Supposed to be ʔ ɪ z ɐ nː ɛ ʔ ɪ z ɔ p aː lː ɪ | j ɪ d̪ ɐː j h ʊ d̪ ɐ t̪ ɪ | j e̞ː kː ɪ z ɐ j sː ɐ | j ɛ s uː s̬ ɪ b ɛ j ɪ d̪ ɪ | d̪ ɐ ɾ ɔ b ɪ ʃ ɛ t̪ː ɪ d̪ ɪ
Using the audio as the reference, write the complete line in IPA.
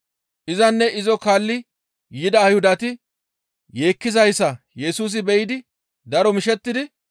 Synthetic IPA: ʔ ɪ z ɐ nː ɛ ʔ ɪ z ɔ k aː lː ɪ | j ɪ d̪ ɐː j h ʊ d̪ ɐ t̪ ɪ | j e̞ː kː ɪ z ɐ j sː ɐ | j ɛ s uː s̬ ɪ b ɛ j ɪ d̪ ɪ | d̪ ɐ ɾ ɔ m ɪ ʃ ɛ t̪ː ɪ d̪ ɪ